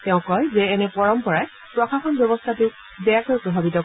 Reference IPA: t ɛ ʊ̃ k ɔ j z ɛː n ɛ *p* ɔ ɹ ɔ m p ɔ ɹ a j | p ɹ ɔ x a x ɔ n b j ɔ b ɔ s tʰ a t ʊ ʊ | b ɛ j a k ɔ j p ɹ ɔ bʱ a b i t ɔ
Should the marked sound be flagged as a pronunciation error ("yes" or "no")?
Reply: no